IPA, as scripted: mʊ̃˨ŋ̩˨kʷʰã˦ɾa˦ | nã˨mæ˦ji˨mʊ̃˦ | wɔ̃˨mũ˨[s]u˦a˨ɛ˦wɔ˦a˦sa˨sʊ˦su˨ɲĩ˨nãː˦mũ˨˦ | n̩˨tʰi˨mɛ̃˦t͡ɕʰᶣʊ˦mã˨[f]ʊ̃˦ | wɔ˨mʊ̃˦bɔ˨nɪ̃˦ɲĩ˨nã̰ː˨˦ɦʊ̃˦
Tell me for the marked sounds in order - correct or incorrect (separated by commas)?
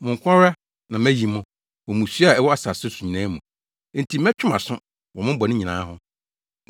correct, incorrect